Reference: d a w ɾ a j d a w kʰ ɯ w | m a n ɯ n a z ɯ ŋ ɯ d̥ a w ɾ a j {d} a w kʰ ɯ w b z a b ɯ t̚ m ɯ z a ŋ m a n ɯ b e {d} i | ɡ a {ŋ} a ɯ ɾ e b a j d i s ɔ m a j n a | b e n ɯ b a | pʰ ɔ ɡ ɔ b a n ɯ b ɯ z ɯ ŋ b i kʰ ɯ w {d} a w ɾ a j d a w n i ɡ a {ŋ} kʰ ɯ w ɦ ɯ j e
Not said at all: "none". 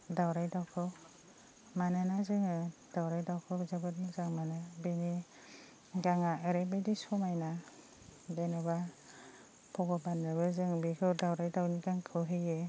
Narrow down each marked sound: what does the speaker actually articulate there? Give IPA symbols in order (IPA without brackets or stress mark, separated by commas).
d, n, ŋ, d, ŋ